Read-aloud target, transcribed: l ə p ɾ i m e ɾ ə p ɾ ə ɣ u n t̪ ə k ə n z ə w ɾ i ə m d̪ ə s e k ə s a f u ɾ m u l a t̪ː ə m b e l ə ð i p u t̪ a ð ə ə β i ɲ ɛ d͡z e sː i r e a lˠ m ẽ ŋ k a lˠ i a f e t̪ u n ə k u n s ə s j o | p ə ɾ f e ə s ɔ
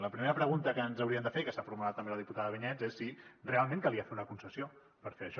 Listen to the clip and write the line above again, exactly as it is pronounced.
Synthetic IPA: l ə p ɾ i m e ɾ ə p ɾ ə ɣ u n t̪ ə k ə n z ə w ɾ i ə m d̪ ə f e k ə s a f u ɾ m u l a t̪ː ə m b e l ə ð i p u t̪ a ð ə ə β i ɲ ɛ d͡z e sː i r e a lˠ m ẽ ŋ k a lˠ i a f e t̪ u n ə k u n s ə s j o | p ə ɾ f e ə ʃ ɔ